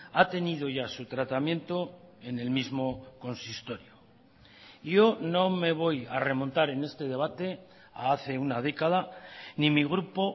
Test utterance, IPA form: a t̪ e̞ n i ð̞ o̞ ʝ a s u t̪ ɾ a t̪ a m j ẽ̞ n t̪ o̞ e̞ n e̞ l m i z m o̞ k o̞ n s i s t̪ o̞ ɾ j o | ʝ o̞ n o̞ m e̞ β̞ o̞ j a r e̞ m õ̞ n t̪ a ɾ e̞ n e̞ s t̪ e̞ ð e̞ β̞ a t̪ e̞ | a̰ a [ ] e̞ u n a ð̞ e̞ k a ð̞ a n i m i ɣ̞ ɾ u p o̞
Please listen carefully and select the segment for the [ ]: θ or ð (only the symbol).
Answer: θ